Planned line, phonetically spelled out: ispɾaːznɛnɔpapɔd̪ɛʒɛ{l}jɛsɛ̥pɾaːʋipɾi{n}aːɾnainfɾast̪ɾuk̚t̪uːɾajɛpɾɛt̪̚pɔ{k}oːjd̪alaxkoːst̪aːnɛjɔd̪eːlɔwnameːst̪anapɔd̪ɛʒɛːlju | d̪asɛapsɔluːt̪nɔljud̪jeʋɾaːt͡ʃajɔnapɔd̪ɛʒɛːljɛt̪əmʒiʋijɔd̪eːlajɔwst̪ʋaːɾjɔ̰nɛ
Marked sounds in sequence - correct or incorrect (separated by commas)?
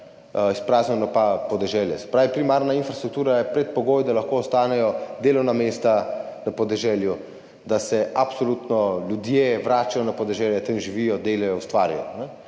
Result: correct, incorrect, incorrect